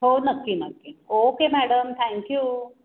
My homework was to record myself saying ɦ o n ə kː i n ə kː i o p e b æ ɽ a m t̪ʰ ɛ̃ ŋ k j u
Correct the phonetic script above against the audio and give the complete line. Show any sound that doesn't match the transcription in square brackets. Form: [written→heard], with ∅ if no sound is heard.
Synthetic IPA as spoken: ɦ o n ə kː i n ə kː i o [p→k] e [b→m] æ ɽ [a→ə] m t̪ʰ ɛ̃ ŋ k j u